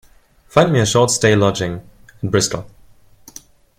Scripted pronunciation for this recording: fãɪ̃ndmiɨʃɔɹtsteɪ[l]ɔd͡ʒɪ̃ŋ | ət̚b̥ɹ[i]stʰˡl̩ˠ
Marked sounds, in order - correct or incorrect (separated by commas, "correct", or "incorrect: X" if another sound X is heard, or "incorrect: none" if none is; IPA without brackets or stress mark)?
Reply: correct, incorrect: ɪ